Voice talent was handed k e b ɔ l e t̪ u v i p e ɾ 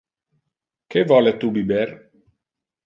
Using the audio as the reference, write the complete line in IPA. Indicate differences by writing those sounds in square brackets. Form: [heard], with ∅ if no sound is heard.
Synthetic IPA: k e [v] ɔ l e t̪ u [b] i [b] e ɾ